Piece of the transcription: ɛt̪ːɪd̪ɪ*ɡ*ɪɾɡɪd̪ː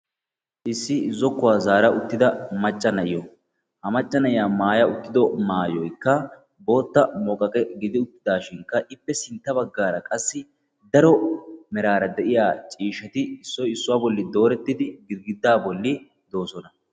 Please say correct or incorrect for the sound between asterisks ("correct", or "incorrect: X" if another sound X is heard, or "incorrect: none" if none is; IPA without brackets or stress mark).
correct